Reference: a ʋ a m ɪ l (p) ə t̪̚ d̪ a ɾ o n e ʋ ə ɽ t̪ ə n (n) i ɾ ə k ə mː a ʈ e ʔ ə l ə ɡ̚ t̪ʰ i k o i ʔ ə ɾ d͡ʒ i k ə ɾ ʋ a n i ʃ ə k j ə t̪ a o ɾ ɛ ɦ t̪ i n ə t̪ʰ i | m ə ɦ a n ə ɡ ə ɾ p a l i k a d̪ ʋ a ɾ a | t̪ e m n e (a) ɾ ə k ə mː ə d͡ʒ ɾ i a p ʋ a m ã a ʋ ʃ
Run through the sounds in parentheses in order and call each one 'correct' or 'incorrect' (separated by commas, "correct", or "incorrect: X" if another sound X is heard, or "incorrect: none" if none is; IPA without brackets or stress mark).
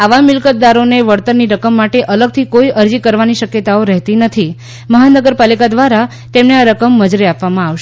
incorrect: k, correct, correct